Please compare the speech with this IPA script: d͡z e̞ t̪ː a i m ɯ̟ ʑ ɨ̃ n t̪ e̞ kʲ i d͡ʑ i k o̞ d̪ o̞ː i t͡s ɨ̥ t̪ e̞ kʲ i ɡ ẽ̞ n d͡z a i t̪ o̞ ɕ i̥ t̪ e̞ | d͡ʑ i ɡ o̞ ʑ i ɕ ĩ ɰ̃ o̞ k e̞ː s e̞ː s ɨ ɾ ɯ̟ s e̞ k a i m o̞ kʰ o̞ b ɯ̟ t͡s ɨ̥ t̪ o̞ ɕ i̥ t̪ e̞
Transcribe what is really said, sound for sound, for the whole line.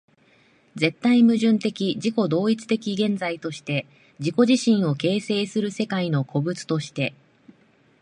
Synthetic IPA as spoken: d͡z e̞ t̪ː a i m ɯ̟ ʑ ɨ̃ n t̪ e̞ kʲ i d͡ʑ i k o̞ d̪ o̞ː i t͡s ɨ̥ t̪ e̞ kʲ i ɡ ẽ̞ n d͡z a i t̪ o̞ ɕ i̥ t̪ e̞ | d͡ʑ i k o̞ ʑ i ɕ ĩ ɰ̃ o̞ k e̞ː s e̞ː s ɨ ɾ ɯ̟ s e̞ k a i n o̞ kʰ o̞ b ɯ̟ t͡s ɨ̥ t̪ o̞ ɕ i̥ t̪ e̞